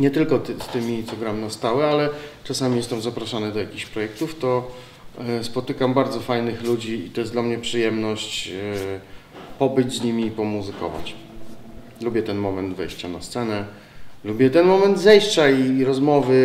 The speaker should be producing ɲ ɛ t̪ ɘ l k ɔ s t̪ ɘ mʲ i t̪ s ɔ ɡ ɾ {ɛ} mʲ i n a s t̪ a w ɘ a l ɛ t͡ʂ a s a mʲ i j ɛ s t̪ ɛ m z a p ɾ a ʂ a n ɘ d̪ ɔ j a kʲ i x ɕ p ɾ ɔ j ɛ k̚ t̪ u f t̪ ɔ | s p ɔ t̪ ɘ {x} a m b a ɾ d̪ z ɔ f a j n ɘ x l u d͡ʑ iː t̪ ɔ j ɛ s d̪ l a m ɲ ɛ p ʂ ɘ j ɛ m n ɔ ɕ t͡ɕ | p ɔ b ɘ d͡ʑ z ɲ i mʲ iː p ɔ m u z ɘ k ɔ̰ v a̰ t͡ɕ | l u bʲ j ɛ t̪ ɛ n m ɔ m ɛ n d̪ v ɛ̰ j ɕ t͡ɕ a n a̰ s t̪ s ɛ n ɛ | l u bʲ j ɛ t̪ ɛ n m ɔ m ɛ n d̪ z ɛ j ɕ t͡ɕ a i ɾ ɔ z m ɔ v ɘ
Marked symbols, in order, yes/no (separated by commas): no, no